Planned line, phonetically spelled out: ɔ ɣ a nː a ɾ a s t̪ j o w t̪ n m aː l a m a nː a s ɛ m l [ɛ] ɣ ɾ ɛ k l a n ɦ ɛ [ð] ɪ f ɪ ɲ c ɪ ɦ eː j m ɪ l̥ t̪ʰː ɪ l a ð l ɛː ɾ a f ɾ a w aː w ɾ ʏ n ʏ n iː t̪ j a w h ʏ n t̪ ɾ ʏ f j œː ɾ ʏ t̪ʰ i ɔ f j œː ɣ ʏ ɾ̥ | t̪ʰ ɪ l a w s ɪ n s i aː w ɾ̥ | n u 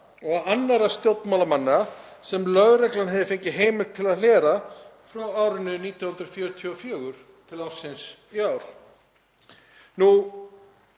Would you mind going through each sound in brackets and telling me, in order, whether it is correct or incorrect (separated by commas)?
incorrect, correct